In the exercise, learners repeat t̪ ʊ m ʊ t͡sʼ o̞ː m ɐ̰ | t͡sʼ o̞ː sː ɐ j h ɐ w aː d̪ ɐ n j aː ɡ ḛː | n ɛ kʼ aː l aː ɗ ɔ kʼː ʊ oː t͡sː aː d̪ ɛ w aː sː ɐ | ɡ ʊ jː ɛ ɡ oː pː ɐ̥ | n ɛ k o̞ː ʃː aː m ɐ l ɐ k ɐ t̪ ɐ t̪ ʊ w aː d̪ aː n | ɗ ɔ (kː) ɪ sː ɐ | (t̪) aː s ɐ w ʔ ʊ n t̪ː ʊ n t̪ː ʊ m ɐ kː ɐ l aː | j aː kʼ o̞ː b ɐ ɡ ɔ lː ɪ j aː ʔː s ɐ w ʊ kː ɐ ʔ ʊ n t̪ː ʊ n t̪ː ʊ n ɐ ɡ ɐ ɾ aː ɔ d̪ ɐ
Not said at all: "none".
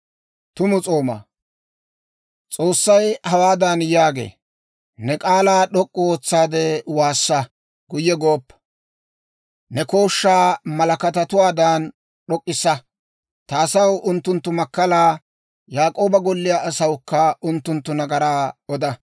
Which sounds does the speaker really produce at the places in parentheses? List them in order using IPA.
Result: kʼː, t̪

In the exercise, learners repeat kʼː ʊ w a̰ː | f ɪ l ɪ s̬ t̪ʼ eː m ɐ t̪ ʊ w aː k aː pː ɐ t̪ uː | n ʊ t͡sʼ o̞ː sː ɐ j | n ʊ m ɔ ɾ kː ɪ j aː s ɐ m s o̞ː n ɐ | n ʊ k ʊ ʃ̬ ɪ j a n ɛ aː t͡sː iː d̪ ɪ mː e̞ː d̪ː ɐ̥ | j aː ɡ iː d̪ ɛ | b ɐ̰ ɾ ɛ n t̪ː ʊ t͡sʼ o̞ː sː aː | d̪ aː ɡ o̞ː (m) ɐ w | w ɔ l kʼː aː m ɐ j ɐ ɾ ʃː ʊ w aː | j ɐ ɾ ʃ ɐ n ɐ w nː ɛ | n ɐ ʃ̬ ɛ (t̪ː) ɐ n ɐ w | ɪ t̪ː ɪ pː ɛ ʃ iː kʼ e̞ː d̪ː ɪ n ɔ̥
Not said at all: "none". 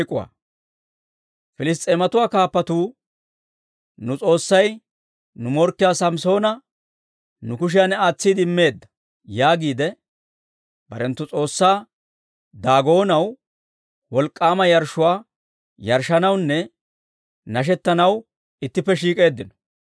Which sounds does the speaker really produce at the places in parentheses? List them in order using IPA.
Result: n, t̪ː

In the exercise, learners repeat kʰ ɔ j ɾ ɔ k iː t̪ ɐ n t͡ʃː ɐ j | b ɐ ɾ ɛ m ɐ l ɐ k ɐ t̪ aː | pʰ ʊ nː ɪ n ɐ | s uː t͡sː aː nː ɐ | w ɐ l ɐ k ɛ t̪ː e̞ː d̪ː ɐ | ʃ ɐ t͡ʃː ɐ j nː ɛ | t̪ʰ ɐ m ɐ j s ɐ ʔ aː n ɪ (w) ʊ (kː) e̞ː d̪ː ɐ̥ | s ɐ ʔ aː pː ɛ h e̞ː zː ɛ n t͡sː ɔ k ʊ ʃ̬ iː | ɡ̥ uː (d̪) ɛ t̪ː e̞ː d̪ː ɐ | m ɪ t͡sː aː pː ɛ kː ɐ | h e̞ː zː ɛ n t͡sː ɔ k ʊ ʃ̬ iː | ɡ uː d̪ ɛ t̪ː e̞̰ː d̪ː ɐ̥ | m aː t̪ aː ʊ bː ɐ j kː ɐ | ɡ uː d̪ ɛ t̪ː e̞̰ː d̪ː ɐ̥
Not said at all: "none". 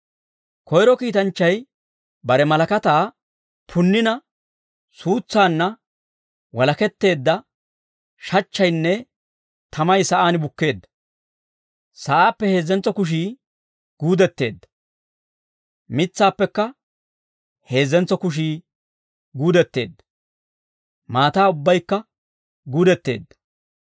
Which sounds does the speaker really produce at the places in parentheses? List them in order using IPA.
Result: b, kː, d̪

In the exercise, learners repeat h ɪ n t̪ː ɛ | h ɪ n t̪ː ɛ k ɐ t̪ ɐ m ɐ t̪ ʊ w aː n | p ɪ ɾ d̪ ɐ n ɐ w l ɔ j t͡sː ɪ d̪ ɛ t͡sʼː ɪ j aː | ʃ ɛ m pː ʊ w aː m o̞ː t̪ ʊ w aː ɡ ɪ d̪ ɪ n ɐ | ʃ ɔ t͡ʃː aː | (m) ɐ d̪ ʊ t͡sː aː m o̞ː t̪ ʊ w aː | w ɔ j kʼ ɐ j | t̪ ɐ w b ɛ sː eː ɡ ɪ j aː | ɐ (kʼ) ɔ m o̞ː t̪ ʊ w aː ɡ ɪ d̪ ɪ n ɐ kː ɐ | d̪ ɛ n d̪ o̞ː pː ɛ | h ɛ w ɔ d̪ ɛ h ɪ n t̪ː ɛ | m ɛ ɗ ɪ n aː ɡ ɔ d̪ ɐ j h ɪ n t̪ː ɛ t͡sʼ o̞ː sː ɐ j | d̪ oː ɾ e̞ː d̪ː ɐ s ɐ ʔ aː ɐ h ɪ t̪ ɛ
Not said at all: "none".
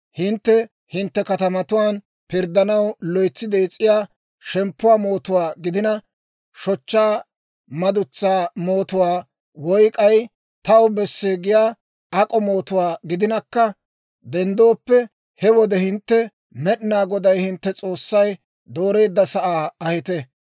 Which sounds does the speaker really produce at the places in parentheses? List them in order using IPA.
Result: m, kʼ

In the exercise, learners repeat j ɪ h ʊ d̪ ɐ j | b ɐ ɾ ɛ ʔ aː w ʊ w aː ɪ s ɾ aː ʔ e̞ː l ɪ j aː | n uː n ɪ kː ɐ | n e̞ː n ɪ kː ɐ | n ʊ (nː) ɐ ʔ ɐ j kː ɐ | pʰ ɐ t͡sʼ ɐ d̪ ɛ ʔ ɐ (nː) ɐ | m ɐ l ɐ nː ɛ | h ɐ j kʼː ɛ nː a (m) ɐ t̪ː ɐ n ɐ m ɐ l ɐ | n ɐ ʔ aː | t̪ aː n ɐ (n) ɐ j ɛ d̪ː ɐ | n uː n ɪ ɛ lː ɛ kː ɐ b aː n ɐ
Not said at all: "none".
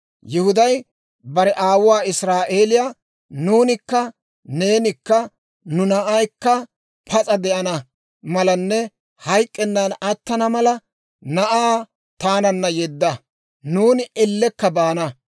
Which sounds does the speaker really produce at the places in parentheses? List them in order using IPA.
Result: n, n, n, nː

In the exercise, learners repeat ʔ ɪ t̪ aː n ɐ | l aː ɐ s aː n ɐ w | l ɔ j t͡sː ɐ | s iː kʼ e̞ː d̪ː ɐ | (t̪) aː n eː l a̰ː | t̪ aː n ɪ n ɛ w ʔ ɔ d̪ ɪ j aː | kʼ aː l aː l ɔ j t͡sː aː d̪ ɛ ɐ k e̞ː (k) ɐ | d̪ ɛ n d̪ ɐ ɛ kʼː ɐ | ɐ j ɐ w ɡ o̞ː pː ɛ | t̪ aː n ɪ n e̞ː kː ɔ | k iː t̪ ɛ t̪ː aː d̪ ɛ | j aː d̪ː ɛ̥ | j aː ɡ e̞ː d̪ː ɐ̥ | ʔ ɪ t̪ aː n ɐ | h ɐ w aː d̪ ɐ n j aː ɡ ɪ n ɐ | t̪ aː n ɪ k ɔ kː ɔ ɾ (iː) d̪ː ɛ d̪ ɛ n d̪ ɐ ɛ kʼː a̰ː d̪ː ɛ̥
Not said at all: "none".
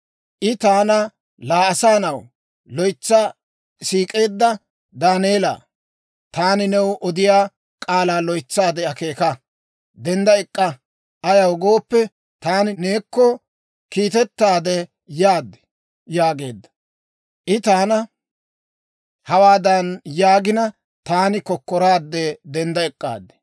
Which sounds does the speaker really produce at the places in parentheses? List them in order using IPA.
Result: d̪, k, aː

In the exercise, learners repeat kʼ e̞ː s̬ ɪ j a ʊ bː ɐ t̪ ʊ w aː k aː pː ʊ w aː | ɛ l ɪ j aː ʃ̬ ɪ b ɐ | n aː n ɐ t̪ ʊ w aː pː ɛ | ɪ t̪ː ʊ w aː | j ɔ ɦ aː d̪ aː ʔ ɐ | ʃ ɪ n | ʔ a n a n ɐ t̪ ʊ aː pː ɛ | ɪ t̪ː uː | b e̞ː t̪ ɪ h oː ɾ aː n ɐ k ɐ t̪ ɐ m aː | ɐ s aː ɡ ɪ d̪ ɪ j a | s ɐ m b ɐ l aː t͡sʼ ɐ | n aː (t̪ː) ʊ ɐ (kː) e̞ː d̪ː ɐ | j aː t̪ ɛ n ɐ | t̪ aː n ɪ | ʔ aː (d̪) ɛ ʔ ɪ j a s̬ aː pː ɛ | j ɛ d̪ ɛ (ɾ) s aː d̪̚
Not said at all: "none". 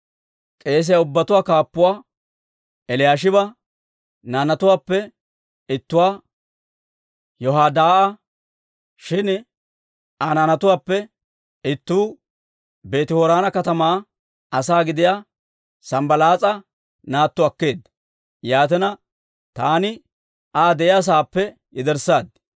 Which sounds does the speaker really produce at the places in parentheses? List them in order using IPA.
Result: t̪ː, kː, d̪, ɾ

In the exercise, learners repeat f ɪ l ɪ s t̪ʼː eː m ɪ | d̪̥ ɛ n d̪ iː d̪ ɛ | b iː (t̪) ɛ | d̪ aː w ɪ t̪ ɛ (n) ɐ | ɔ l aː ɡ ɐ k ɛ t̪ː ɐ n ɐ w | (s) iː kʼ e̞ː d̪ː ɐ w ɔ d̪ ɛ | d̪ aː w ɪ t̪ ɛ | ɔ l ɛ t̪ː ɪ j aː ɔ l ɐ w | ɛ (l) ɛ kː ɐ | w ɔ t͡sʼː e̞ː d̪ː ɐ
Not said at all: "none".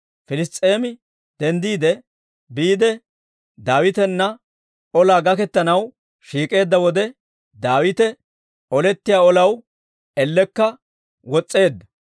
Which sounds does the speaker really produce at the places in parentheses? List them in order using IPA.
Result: d̪, nː, ʃ, lː

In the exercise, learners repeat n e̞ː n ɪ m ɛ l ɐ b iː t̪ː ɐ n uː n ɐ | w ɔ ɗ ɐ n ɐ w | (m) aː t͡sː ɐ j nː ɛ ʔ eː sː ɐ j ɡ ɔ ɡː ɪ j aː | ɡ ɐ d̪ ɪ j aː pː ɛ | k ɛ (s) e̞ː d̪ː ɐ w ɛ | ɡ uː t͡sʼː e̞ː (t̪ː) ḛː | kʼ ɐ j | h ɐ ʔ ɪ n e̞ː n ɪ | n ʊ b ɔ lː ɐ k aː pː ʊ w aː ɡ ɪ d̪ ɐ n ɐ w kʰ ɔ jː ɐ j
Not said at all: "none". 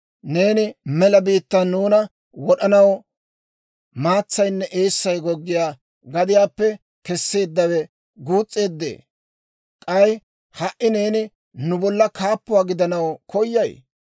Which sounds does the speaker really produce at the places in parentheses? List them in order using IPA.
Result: m, sː, d̪ː

